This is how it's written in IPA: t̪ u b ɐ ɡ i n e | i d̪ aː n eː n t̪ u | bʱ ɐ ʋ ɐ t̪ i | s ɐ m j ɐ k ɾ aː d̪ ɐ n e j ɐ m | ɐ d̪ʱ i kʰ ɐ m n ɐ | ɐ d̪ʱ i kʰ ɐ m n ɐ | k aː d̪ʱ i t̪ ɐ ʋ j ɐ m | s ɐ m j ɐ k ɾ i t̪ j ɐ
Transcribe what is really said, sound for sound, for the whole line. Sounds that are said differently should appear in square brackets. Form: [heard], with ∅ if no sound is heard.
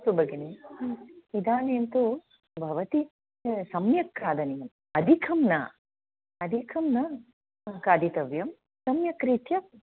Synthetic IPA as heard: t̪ u b ɐ ɡ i n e | i d̪ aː n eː n t̪ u | bʱ ɐ ʋ ɐ t̪ i | s ɐ m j ɐ k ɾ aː d̪ ɐ n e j ɐ m | ɐ d̪ʱ i kʰ ɐ m n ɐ | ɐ d̪ʱ i kʰ ɐ m n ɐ | k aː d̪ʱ i t̪ ɐ ʋ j ɐ m | s ɐ m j ɐ k ɾ i t̪ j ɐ